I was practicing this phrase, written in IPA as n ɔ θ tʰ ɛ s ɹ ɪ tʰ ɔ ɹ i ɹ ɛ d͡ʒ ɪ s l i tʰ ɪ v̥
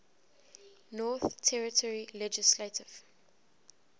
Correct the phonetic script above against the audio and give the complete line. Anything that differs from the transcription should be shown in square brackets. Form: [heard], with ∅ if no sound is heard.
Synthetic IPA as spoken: n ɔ θ tʰ ɛ [∅] ɹ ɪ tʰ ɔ ɹ i [l] ɛ d͡ʒ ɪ s l [e] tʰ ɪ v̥

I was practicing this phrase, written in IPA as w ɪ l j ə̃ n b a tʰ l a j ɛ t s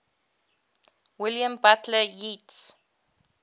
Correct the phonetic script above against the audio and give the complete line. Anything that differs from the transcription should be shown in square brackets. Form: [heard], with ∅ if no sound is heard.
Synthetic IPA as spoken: w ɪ l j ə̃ [m] b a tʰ l [ə] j [i] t s

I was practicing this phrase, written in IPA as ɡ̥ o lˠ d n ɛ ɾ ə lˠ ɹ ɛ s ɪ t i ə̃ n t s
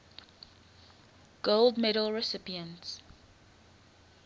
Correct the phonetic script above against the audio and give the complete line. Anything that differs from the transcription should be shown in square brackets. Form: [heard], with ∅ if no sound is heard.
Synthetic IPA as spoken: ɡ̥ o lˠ d [m] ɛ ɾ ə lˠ ɹ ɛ s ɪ [p] i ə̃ n t s

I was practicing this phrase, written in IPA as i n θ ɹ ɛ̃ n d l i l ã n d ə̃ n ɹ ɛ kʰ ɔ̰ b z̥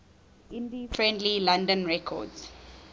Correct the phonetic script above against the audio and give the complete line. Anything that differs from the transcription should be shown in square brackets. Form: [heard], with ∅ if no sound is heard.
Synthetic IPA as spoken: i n [f] ɹ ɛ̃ n d l i l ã n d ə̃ n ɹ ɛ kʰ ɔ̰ [d] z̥

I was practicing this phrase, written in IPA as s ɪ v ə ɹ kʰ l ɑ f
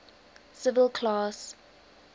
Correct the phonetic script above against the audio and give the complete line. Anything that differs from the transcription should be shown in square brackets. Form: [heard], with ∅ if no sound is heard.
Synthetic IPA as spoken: s ɪ v ə [l] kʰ l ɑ [s]

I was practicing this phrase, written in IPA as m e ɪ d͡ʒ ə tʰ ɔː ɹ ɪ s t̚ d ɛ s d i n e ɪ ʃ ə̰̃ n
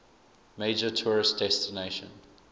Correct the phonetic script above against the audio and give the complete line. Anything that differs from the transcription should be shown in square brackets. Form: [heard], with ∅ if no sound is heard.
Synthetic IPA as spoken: m e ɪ d͡ʒ ə tʰ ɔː ɹ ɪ s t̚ d ɛ s [t] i n e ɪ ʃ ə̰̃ n

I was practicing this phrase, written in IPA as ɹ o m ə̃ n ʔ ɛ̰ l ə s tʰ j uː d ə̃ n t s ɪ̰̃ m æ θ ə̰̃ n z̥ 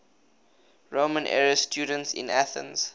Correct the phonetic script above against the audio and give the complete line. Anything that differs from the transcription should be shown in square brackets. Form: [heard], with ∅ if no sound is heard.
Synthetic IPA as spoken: ɹ o m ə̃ n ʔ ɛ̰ [ɹ] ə s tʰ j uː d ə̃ n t s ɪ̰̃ [n] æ θ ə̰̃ n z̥

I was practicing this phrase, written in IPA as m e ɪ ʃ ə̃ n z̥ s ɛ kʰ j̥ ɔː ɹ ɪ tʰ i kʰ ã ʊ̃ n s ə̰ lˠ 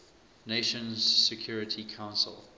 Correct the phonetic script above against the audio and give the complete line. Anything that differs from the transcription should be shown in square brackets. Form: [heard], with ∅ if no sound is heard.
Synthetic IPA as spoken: [n] e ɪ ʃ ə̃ n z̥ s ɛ kʰ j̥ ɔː ɹ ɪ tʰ i kʰ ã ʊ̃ n s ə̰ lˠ

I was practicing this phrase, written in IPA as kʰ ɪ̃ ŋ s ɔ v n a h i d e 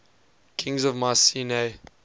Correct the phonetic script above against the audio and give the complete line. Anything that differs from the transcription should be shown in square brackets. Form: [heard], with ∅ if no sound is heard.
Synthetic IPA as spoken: kʰ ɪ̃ ŋ [z] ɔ v [m] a [s] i [n] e

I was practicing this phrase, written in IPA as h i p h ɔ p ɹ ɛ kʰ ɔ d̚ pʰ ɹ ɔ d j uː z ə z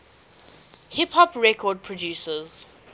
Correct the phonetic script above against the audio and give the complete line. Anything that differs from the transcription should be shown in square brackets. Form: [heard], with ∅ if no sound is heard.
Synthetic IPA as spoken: h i p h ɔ p ɹ ɛ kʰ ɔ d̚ pʰ ɹ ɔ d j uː [s] ə z

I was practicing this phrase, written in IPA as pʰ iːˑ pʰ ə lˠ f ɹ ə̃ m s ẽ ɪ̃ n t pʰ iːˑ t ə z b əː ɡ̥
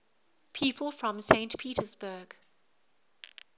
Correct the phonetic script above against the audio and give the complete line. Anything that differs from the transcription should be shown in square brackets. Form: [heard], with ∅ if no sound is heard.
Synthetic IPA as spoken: pʰ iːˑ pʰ ə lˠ f ɹ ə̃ m s ẽ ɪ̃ n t pʰ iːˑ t ə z b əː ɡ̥

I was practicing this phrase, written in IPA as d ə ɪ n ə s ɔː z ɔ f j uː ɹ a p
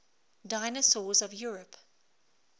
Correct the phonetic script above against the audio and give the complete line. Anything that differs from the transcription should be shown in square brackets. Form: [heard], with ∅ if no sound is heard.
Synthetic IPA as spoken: d [a] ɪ n ə s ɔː z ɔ [v] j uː ɹ [ə] p

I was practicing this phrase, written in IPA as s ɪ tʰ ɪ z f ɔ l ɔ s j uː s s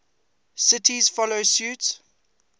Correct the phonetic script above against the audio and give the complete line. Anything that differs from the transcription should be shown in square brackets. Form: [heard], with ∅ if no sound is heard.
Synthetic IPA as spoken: s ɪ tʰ [i] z f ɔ l [o] s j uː [t] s

